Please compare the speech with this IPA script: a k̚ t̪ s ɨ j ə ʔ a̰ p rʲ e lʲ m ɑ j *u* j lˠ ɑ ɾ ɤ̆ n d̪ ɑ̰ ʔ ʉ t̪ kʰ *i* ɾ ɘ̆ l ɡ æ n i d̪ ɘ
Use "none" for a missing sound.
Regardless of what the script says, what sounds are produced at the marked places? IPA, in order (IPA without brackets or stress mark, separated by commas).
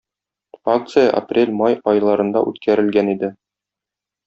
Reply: ɒ, æ